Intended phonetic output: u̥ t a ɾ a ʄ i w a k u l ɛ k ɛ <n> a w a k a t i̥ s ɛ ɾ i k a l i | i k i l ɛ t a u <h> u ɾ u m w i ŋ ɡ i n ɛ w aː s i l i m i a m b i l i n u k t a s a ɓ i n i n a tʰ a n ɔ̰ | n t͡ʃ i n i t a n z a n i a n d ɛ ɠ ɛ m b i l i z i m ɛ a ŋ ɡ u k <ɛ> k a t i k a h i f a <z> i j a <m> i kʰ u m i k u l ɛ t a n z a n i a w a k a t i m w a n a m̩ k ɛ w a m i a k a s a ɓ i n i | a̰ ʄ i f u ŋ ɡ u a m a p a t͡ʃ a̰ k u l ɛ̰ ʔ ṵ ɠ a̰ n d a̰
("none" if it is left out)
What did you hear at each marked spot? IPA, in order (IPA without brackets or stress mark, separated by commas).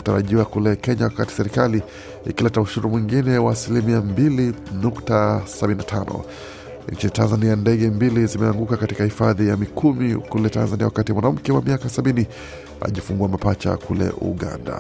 ɲ, ʃ, a, ð, m